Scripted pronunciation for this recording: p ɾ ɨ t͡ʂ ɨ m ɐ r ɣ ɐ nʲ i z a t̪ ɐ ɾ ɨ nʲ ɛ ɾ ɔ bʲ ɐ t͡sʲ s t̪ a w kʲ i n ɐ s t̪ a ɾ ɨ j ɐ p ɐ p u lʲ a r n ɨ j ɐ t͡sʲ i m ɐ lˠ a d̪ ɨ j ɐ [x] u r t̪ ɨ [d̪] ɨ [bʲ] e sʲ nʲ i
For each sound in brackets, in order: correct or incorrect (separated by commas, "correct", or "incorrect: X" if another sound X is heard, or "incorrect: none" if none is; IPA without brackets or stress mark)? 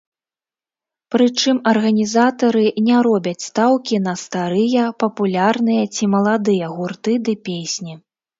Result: incorrect: ɣ, correct, incorrect: pʲ